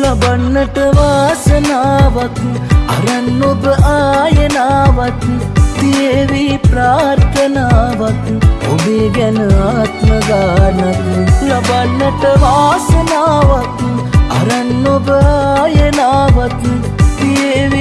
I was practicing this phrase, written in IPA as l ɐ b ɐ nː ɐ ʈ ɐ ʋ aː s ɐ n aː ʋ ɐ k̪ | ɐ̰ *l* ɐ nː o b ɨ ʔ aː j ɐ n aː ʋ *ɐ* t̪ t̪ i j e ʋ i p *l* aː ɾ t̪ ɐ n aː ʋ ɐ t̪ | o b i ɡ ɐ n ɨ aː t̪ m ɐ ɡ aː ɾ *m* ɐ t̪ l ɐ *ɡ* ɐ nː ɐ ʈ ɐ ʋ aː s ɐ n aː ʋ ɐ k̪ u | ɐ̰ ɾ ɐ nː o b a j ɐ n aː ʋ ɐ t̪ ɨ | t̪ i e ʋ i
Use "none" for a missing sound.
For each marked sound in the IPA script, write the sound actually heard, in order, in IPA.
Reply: ɾ, ɐ, ɾ, n, b

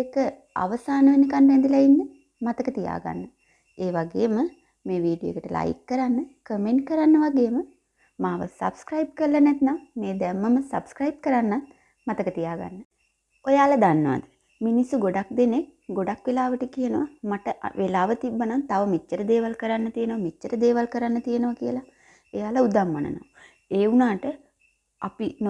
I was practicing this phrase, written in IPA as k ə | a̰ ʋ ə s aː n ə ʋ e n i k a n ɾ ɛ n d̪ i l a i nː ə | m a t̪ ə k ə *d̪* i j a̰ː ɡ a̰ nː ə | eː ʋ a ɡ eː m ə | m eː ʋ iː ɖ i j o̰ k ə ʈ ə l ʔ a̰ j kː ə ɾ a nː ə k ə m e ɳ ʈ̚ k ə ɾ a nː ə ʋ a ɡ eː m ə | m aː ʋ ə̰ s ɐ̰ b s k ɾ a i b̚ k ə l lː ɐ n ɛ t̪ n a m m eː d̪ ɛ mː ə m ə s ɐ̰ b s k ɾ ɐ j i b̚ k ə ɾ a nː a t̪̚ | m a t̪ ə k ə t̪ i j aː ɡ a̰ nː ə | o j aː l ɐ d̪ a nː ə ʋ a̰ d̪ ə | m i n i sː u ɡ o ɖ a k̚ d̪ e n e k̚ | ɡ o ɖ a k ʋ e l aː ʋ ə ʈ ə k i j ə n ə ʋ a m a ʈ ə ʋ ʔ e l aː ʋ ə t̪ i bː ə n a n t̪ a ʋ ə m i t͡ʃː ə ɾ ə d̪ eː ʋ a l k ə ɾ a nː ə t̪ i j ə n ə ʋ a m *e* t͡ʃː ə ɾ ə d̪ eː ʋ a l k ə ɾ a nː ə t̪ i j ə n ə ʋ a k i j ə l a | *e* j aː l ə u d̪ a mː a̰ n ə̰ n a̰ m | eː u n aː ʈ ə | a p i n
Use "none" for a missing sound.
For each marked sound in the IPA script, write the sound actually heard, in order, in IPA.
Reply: t̪, i, e

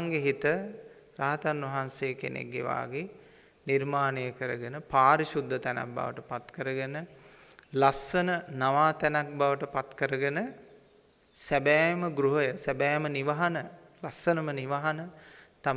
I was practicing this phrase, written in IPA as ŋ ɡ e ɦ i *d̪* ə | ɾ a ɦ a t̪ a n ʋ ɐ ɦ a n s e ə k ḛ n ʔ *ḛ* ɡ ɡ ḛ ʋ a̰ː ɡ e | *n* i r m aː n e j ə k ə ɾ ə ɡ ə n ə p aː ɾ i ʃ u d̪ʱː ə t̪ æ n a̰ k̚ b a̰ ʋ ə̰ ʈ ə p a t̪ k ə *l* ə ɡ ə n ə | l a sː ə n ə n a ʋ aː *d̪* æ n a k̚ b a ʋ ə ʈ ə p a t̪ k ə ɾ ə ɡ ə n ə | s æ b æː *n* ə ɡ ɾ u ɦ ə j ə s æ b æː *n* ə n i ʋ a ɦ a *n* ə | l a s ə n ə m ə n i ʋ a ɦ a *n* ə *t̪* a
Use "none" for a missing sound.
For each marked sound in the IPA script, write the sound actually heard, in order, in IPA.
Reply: t̪, ḛ, n, ɾ, t̪, m, m, n, n, t̪

